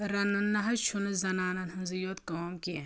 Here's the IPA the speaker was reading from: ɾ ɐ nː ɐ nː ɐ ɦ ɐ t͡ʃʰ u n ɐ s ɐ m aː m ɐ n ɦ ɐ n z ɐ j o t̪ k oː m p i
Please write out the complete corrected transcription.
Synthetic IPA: ɾ ɐ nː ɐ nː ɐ ɦ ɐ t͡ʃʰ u n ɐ z ɐ n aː n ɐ n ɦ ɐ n z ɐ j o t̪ k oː m k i

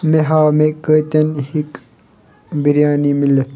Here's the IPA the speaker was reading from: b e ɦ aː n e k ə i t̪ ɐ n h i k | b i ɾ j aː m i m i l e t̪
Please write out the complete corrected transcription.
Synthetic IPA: m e ɦ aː m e k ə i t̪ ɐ n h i k | b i ɾ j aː n i m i l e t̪

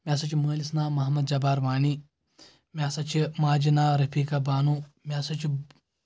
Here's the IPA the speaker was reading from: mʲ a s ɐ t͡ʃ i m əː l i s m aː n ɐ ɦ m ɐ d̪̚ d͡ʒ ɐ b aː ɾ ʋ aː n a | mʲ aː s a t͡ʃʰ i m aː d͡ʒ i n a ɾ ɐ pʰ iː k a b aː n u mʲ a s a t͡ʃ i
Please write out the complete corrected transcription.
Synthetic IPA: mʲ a s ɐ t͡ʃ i m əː l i s n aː m ɐ ɦ m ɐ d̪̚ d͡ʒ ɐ b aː ɾ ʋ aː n i | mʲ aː s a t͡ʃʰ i m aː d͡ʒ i n a ɾ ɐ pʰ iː k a b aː n u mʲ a s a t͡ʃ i

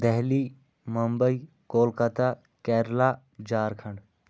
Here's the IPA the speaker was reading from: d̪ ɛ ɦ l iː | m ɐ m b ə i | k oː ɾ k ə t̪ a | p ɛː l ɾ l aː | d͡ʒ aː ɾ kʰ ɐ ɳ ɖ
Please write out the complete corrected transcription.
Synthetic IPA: d̪ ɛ ɦ l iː | m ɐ m b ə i | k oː l k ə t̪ a | k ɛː ɾ l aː | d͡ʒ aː ɾ kʰ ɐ ɳ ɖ

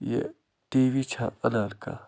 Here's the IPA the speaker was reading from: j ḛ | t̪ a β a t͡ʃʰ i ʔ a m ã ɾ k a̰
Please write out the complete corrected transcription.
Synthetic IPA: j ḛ | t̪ i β i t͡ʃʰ a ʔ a n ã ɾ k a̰

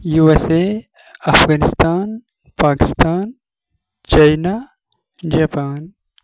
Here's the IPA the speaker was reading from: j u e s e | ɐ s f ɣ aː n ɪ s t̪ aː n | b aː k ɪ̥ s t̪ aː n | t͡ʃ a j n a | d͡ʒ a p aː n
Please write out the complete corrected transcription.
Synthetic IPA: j u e s e | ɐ f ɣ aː n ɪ s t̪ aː n | p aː k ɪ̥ s t̪ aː n | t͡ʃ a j n a | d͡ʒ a p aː n

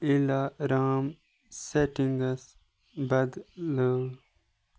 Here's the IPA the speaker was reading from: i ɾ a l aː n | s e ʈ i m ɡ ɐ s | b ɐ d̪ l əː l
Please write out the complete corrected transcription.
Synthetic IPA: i l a ɾ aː m | s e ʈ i ŋ ɡ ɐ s | b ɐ d̪ l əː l

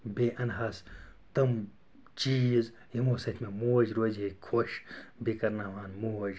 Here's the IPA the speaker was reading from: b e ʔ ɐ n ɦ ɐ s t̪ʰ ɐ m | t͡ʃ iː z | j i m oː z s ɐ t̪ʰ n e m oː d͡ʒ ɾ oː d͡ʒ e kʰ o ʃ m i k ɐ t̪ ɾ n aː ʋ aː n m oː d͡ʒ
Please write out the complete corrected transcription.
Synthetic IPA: b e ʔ ɐ n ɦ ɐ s t̪ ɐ m | t͡ʃ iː z | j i m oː s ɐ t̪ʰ m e m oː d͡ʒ ɾ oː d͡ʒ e kʰ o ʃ b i k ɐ ɾ n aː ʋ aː n m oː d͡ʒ

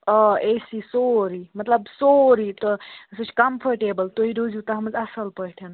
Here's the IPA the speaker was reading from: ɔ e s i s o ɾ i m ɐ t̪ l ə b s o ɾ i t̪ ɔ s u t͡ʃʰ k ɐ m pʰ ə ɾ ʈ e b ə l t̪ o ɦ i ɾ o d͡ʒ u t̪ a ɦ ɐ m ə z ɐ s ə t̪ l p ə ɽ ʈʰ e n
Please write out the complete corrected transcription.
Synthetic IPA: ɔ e s i s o ɾ i m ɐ t̪ l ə b s o ɾ i t̪ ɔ s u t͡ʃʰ k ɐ m pʰ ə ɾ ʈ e b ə l t̪ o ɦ i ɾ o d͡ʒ u t̪ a ɦ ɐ m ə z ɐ s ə l p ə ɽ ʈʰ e n

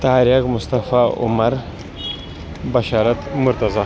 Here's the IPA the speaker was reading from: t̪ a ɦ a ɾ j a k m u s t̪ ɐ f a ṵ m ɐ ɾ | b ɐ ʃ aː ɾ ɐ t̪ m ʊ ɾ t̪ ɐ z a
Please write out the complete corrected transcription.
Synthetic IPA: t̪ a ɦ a ɾ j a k m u s t̪ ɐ f a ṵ m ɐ ɾ | b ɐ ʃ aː ɾ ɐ t̪ m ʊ ɾ t̪ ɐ z a

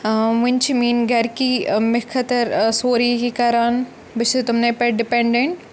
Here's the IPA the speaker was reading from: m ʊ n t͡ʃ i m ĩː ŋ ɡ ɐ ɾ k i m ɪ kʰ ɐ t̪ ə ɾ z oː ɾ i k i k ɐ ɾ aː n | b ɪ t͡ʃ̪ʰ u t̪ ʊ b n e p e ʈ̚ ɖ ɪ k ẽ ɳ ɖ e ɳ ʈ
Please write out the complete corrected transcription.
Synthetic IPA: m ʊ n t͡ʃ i m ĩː n ɡ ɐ ɾ k i m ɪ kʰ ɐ t̪ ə ɾ s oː ɾ i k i k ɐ ɾ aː n | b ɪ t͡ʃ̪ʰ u t̪ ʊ m n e p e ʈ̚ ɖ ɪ p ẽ ɳ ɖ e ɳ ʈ

